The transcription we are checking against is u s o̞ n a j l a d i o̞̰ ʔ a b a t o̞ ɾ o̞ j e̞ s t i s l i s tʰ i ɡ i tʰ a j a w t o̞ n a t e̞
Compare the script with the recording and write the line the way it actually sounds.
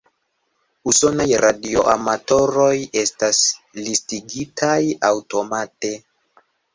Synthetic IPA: u s o̞ n a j ɾ a d i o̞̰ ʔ a m a t o̞ ɾ o̞ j e̞ s t a s l i s t i ɡ i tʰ a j a w t o̞ m a t e̞